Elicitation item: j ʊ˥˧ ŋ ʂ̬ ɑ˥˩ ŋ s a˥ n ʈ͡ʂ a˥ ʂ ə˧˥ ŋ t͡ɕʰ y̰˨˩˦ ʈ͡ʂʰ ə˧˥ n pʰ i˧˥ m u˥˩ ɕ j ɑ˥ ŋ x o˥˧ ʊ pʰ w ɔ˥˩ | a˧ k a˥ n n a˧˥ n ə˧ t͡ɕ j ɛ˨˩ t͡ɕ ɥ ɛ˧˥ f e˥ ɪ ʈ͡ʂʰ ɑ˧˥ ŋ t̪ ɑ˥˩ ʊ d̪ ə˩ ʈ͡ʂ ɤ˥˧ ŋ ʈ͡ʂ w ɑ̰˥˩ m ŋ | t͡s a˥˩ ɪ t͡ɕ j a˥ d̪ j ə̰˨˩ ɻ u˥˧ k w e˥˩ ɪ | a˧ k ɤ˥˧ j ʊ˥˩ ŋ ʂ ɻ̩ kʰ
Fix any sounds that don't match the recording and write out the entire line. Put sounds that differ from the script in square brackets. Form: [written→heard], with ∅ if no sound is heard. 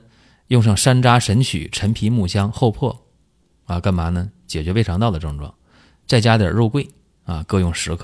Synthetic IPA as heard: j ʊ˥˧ ŋ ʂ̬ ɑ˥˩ ŋ [s→ʂ] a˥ n ʈ͡ʂ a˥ ʂ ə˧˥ [ŋ→n] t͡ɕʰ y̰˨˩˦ ʈ͡ʂʰ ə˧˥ n pʰ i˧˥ m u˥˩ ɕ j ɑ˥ ŋ x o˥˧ ʊ pʰ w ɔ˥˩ | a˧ k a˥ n [n→m] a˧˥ n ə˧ t͡ɕ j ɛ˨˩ t͡ɕ ɥ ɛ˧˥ f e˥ ɪ ʈ͡ʂʰ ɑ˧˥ ŋ t̪ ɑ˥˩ ʊ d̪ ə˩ ʈ͡ʂ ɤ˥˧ ŋ ʈ͡ʂ w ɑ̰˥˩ [m→∅] ŋ | t͡s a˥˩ ɪ t͡ɕ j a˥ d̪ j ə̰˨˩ ɻ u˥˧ k w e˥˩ ɪ | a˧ k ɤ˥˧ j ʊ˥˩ ŋ ʂ ɻ̩ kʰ